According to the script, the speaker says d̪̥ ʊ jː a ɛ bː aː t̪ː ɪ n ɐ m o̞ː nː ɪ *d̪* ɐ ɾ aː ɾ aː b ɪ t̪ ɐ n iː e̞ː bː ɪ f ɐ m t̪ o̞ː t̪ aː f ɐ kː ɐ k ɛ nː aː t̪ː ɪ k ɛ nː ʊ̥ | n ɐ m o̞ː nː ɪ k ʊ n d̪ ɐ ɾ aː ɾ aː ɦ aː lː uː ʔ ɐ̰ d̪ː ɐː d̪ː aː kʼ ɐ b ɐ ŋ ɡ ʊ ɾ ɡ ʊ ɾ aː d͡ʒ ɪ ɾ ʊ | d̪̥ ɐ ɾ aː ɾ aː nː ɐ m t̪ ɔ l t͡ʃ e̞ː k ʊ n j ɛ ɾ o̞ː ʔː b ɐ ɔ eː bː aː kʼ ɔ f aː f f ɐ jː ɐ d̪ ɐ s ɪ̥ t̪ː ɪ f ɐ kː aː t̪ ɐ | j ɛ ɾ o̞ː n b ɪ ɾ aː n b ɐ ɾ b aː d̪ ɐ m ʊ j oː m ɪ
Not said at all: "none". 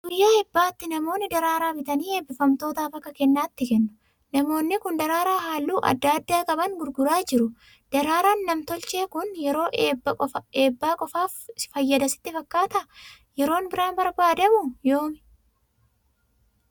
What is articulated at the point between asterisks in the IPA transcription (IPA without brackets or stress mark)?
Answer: d̪